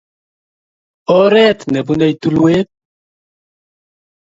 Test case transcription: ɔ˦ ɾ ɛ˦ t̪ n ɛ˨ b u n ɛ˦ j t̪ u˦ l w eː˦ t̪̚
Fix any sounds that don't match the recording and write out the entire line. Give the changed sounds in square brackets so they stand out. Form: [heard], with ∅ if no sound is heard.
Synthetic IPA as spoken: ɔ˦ ɾ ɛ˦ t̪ n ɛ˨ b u n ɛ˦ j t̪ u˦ l w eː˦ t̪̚